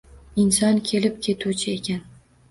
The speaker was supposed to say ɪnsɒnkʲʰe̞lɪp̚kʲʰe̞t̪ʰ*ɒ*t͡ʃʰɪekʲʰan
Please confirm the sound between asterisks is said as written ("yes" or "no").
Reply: no